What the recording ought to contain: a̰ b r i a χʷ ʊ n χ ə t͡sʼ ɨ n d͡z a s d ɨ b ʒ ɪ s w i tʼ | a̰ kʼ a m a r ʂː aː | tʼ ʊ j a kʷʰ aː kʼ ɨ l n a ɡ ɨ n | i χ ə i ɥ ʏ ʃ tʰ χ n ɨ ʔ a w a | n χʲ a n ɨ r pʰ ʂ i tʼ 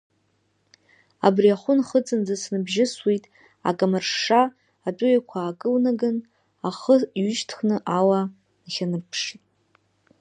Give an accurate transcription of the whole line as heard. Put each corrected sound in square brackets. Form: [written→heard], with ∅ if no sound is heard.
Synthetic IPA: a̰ b r i a χʷ ʊ n χ ə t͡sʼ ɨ n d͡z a s [d→n] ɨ b ʒ ɪ s w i tʼ | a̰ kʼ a m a r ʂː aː | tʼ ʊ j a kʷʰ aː kʼ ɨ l n a ɡ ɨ n | [i→a] χ ə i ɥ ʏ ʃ tʰ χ n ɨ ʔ a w a | n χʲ a n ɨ r pʰ ʂ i tʼ